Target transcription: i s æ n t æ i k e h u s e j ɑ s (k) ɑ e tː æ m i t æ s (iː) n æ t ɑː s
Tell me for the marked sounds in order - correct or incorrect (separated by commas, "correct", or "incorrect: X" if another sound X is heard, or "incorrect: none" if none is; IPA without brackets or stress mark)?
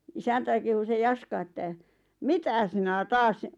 correct, incorrect: i